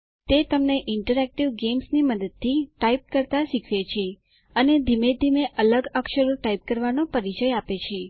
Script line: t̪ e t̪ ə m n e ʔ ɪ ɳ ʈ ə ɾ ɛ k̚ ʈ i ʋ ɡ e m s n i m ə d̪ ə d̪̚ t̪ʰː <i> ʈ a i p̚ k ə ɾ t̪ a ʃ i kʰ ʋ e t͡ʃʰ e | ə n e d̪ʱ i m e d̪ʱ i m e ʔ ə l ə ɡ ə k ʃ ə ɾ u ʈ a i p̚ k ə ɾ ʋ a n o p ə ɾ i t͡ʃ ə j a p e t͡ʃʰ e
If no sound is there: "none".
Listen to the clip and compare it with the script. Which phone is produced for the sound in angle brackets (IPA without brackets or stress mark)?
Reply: i